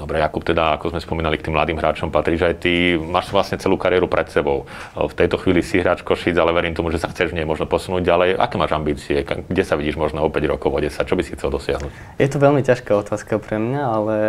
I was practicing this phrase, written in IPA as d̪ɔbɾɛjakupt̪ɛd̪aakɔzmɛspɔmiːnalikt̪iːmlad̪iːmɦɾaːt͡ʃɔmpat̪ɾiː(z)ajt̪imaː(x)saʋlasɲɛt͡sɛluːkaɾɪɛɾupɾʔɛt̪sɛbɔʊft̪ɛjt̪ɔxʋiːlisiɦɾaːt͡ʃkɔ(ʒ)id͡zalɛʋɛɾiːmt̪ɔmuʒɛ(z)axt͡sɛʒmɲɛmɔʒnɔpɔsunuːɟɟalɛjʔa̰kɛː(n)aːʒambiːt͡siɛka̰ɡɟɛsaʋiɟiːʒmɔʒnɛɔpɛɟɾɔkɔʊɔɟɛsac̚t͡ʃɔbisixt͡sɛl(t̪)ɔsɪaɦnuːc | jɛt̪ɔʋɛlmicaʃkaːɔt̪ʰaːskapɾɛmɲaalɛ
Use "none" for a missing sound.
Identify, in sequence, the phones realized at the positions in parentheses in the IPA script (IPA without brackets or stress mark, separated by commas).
ʒ, ʃ, ʃ, s, m, d̪